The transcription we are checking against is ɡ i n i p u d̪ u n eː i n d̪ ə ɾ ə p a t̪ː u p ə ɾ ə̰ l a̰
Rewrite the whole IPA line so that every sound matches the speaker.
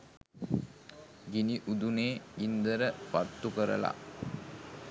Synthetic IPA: ɡ i n i ʔ u d̪ u n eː i n d̪ ə ɾ ə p a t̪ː u k ə ɾ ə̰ l a̰